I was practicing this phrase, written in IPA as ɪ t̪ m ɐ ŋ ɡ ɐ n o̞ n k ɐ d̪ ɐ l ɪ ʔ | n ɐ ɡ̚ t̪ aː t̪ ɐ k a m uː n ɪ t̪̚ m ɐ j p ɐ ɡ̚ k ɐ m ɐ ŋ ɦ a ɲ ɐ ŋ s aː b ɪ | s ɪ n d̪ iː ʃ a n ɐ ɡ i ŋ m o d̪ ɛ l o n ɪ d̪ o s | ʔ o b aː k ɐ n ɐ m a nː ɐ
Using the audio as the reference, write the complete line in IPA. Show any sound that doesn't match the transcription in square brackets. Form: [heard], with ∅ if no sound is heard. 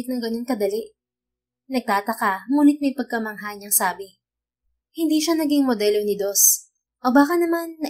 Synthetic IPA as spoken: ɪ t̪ [n] ɐ ŋ ɡ ɐ n o̞ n k ɐ d̪ ɐ l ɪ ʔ | n ɐ ɡ̚ t̪ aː t̪ ɐ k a m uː n ɪ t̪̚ m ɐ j p ɐ ɡ̚ k ɐ m ɐ ŋ ɦ a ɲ ɐ ŋ s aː b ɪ | [h] ɪ n d̪ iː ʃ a n ɐ ɡ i ŋ m o d̪ ɛ l o n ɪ d̪ o s | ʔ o b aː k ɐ n ɐ m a nː ɐ